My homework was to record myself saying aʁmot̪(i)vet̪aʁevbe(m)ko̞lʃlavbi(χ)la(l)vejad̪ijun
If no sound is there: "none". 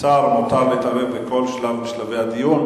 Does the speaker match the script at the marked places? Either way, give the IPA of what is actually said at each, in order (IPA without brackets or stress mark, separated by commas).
a, none, ʃ, none